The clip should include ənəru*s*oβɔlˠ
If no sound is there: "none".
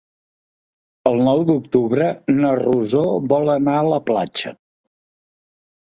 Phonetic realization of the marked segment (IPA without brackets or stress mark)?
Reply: z